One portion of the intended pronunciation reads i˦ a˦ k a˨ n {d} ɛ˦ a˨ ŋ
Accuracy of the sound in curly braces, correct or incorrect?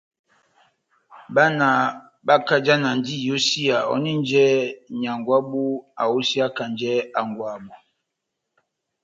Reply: incorrect